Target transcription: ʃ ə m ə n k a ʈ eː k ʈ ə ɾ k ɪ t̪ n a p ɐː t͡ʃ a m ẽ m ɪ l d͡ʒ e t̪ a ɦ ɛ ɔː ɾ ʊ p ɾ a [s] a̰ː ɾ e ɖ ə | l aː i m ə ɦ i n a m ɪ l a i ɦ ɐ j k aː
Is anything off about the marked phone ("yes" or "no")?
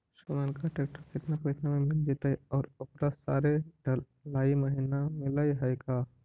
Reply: no